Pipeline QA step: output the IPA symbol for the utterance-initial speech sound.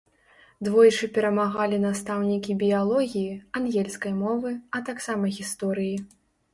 d̪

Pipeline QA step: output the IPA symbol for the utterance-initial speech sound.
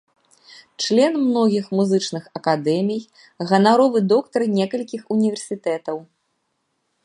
t͡ʂ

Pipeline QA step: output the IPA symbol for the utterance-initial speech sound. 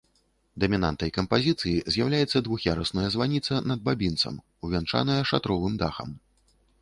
d̪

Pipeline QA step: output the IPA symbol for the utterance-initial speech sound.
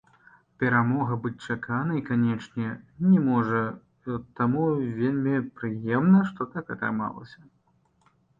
pʲ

